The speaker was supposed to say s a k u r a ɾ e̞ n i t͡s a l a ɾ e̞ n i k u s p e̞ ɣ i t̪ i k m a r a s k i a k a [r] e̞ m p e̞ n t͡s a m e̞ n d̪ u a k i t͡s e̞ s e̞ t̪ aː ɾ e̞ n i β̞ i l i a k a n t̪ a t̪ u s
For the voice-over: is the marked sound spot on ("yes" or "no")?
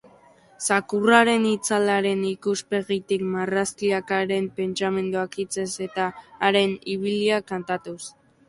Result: no